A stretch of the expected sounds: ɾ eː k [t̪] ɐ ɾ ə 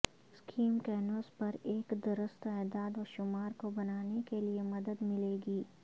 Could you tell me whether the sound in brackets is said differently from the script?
yes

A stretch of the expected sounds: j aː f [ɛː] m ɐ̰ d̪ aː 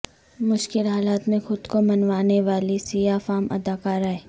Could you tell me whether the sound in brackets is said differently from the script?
yes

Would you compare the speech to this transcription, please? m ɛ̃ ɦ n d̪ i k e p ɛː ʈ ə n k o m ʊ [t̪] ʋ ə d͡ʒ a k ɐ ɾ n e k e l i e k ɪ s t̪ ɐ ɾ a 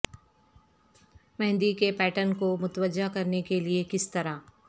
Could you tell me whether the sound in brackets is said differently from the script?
no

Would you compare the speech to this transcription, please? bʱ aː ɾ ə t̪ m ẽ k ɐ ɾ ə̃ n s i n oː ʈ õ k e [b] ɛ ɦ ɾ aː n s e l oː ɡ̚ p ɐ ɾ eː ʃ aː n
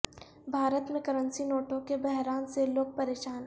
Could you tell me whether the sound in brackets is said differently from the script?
no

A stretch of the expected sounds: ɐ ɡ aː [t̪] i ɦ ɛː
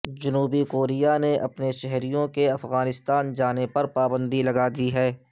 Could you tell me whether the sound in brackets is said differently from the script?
yes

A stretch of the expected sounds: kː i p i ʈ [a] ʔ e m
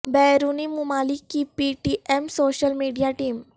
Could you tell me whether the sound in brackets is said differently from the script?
yes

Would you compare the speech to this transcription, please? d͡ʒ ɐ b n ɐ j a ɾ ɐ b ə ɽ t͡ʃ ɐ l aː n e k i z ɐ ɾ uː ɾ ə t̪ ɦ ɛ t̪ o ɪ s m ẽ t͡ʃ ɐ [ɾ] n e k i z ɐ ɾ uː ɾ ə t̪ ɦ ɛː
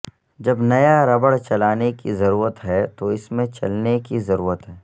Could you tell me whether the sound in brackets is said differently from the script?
yes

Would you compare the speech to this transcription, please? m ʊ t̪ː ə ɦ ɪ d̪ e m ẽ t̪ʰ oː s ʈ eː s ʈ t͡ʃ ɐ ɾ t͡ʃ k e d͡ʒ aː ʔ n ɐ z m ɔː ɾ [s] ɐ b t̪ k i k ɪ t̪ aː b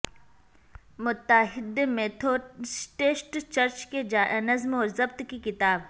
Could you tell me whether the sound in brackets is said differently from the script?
yes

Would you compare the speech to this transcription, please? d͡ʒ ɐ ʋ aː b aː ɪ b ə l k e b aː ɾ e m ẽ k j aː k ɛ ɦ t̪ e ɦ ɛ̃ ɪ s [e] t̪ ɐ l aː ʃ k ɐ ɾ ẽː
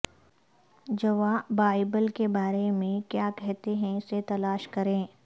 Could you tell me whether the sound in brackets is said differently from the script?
no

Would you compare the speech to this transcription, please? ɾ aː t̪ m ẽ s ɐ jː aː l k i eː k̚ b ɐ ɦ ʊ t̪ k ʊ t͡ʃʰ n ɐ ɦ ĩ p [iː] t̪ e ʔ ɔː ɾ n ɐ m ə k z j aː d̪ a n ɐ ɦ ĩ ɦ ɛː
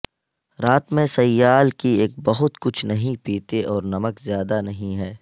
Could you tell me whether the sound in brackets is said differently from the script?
no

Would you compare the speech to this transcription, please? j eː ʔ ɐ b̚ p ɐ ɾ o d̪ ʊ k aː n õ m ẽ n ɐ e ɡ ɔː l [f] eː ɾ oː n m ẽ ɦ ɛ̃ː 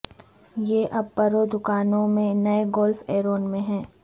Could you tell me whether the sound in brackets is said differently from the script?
no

